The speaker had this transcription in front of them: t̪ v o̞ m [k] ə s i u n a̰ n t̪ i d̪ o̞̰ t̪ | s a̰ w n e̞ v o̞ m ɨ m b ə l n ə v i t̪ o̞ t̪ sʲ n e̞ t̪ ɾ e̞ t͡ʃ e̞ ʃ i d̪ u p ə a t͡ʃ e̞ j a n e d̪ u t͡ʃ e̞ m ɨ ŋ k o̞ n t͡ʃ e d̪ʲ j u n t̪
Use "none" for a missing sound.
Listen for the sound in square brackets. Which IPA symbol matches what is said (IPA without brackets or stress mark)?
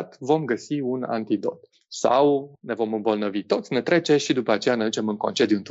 ɡ